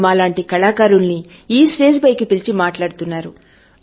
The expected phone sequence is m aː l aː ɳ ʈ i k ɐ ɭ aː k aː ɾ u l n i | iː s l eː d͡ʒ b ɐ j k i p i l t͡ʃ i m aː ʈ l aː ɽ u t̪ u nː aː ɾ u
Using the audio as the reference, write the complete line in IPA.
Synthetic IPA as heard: m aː l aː ɳ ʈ i k ɐ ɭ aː k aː ɾ u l n i | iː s ɾ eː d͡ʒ b ɐ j k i p i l t͡ʃ i m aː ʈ l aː ɽ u t̪ u nː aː ɾ u